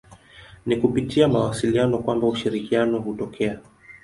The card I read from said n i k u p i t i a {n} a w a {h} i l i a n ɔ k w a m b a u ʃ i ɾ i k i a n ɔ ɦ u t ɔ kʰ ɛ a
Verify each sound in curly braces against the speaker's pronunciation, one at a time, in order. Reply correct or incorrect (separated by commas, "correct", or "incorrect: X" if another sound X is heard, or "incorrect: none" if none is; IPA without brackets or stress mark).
incorrect: m, incorrect: s